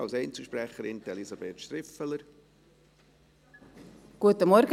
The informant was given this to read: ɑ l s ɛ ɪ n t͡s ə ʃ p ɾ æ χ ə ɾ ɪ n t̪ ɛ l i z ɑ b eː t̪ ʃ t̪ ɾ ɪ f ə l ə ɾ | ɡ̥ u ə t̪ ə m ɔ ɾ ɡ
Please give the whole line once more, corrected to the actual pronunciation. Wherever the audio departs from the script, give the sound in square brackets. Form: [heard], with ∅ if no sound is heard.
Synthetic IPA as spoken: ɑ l s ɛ ɪ n t͡s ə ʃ p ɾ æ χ ə ɾ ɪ n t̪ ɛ l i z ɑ b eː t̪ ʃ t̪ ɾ ɪ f ə l ə ɾ | ɡ̥ u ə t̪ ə m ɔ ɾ ɡ